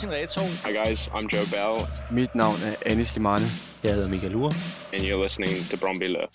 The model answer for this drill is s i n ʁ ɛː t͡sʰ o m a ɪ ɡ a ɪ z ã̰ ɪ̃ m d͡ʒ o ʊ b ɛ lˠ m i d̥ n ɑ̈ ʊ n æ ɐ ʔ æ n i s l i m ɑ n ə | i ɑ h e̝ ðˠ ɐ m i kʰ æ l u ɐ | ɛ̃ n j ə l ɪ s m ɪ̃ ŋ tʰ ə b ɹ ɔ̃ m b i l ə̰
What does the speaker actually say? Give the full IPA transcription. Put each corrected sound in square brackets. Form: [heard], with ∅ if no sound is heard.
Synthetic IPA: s i n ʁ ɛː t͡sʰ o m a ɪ ɡ a ɪ z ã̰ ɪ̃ m d͡ʒ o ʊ b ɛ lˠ m i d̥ n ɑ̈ ʊ n æ ɐ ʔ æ n i s l i m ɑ n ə | [j] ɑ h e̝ ðˠ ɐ m i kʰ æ l u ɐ | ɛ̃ n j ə l ɪ s [n] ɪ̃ ŋ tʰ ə b ɹ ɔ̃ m b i l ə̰